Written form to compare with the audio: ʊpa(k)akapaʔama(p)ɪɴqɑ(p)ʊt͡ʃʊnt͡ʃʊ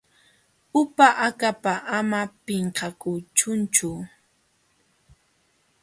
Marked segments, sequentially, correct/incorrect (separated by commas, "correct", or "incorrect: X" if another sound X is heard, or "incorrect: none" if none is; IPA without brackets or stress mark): incorrect: ʔ, correct, incorrect: k